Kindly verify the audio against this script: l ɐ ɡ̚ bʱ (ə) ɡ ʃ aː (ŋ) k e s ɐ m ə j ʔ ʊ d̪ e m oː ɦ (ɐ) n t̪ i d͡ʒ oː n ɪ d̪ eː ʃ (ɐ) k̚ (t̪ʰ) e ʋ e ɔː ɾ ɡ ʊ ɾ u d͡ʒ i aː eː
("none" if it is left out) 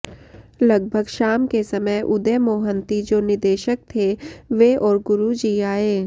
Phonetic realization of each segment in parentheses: ə, m, ə, ə, t̪ʰ

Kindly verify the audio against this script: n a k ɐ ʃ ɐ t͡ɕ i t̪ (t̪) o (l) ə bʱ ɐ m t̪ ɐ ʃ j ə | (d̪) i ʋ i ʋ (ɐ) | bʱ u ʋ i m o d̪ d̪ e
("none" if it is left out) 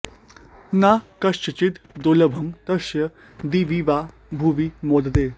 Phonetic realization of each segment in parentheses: d̪, l, d̪, a

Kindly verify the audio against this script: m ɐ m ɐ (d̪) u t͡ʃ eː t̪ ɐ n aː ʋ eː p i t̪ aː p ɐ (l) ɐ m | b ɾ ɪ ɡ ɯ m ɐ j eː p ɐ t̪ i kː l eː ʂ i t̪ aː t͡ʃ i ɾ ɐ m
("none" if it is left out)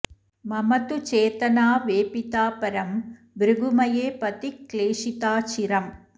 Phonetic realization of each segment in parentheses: t̪, ɾ

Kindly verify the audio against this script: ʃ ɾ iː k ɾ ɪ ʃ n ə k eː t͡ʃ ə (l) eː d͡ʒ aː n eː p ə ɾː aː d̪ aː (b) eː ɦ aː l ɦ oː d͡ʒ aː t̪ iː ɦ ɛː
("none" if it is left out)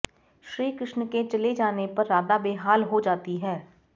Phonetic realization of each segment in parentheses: l, b

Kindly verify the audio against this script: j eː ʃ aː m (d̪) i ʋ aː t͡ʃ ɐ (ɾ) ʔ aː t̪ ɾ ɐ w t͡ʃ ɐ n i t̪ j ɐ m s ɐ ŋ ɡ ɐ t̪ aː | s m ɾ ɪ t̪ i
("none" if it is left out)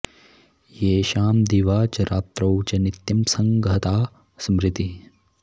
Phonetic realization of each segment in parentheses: d̪, ɾ

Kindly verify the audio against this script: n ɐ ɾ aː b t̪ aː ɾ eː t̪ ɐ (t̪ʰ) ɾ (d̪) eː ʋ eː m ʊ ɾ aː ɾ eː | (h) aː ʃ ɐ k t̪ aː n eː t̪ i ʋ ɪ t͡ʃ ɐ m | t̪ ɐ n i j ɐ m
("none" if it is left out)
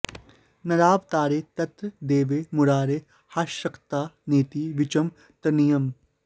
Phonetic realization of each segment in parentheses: t̪, d̪, h

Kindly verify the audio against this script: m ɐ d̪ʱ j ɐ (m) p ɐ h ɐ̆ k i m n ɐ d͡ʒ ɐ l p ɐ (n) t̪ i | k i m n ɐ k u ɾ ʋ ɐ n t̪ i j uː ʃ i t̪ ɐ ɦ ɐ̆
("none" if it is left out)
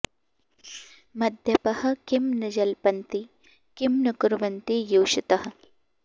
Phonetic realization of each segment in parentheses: none, n

